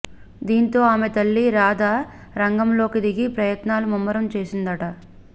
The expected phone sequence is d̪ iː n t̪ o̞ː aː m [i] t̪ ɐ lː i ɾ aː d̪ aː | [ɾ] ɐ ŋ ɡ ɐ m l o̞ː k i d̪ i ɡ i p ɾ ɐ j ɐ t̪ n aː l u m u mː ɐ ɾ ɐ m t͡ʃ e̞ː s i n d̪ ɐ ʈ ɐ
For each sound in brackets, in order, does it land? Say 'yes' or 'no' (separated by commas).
no, yes